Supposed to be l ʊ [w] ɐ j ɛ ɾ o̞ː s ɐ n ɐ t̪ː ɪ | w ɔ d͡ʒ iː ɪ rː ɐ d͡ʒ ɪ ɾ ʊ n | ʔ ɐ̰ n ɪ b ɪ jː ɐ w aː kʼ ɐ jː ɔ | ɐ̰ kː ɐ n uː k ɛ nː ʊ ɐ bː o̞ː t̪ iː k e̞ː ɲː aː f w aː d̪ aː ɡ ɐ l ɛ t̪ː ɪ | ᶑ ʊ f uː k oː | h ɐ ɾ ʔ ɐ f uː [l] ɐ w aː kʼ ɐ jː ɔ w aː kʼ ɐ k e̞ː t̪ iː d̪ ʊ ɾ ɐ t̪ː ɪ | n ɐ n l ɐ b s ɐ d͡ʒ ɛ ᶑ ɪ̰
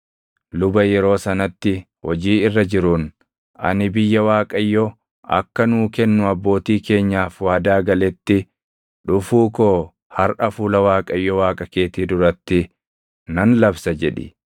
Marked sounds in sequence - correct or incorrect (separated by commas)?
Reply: incorrect, correct